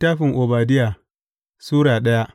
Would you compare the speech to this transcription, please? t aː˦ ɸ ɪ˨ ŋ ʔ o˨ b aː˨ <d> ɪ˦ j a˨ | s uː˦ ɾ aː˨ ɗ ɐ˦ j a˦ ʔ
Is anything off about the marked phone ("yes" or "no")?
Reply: no